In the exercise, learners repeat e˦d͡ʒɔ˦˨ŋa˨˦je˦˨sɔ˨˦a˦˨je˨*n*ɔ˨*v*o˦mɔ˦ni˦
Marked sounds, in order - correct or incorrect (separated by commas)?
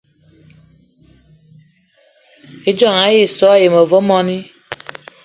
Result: incorrect, correct